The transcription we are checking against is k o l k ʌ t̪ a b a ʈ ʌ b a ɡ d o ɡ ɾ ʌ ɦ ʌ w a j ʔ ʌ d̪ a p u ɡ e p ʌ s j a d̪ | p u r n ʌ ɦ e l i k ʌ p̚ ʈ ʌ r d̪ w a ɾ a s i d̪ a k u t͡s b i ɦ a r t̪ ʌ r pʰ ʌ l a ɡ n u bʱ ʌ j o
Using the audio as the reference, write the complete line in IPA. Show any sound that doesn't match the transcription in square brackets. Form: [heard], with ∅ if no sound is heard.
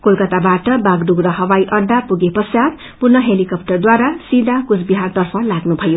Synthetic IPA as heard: k o l k ʌ t̪ a b a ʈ ʌ b a ɡ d [u] ɡ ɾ ʌ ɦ ʌ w a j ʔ ʌ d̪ a p u ɡ e p ʌ s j a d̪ | p u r n ʌ ɦ e l i k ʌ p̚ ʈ ʌ r d̪ w a ɾ a s i d̪ a k u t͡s b i ɦ a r t̪ ʌ r pʰ ʌ l a ɡ n u bʱ ʌ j o